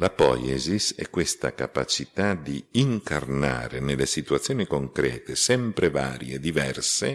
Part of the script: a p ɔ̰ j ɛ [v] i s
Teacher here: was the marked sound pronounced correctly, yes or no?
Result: no